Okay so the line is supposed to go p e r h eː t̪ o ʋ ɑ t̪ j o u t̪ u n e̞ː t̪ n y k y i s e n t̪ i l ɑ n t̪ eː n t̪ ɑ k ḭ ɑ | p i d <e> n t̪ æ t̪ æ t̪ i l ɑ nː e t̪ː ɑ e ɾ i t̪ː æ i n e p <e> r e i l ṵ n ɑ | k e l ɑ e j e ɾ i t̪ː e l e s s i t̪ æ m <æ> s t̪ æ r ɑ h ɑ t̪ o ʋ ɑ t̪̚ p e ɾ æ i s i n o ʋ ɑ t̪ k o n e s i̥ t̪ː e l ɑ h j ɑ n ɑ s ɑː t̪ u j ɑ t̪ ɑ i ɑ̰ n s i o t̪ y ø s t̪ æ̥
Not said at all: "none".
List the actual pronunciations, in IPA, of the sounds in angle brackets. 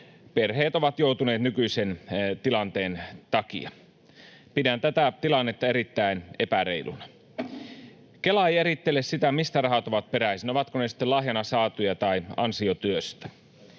æ, æ, i

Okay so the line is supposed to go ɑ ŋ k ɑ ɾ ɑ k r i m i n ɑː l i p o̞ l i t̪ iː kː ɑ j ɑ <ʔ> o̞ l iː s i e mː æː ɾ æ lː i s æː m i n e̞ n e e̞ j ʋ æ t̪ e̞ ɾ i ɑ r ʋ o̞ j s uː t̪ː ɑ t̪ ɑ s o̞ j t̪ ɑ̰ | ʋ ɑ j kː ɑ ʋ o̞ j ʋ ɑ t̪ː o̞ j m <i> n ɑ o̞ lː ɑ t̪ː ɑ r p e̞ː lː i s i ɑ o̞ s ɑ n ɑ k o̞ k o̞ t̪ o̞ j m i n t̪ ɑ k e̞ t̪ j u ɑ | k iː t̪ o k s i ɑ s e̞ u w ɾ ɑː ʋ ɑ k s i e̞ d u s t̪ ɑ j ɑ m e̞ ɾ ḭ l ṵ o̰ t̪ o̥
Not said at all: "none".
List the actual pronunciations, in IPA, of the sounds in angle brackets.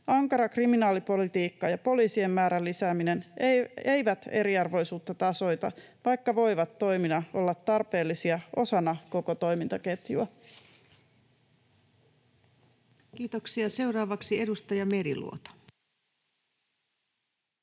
p, i

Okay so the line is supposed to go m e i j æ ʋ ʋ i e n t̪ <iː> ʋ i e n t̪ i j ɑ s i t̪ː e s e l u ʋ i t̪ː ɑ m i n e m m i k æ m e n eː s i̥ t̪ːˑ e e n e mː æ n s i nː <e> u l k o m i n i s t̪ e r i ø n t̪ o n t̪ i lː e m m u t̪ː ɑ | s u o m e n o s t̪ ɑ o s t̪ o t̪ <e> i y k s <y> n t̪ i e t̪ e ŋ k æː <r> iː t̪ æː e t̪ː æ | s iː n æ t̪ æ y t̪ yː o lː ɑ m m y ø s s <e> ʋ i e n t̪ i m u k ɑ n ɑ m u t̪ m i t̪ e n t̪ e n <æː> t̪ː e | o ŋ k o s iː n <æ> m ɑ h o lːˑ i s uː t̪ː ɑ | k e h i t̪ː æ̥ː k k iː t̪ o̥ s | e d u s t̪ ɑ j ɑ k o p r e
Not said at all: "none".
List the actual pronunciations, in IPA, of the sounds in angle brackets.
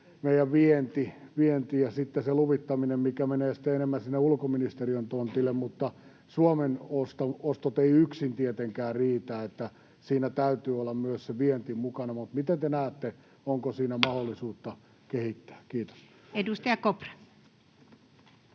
i, e, e, i, r, e, æː, æ

